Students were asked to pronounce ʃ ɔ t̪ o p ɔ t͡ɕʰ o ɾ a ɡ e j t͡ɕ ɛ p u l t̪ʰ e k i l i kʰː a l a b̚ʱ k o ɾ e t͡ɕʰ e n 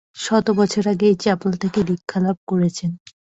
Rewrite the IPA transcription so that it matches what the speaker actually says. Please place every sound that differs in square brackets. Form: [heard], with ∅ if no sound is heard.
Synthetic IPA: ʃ ɔ t̪ o [b] ɔ t͡ɕʰ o ɾ a ɡ e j t͡ɕ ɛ p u l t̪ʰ e k [e] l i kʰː a l a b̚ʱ k o ɾ e t͡ɕʰ e n